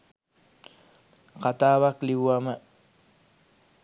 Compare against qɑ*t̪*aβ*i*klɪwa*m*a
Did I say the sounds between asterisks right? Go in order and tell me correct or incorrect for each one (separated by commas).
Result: correct, incorrect, correct